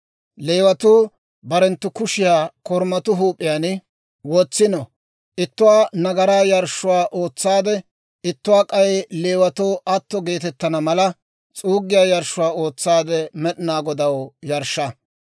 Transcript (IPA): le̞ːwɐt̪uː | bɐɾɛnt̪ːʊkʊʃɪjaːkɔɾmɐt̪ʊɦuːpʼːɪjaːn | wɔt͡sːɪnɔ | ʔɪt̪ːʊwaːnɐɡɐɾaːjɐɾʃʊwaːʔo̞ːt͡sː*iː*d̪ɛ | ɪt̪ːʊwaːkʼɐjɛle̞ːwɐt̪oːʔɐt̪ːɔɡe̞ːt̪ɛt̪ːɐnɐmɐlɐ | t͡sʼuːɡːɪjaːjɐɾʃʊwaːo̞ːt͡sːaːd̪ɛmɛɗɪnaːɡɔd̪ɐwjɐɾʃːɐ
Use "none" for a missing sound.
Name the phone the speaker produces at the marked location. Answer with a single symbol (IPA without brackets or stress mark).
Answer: aː